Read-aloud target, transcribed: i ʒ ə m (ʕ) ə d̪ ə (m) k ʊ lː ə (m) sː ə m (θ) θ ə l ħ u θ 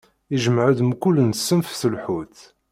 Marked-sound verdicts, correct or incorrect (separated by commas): correct, correct, incorrect, incorrect